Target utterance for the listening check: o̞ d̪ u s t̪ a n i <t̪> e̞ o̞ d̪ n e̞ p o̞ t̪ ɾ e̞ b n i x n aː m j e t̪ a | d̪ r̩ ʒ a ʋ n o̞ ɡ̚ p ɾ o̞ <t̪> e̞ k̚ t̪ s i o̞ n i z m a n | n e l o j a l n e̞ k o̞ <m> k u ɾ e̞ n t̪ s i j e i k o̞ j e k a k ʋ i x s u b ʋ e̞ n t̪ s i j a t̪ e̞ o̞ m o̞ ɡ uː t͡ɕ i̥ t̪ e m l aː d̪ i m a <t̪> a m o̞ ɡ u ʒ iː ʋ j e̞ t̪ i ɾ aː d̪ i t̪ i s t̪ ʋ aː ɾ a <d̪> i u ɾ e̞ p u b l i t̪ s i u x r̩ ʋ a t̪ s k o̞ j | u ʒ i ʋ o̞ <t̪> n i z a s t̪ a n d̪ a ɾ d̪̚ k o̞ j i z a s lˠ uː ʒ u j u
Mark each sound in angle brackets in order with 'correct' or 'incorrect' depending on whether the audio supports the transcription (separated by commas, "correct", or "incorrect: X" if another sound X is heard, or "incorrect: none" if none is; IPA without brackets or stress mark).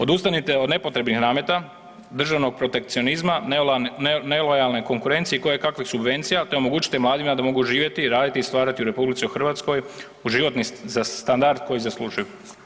correct, correct, incorrect: ŋ, incorrect: d̪, incorrect: t̪, correct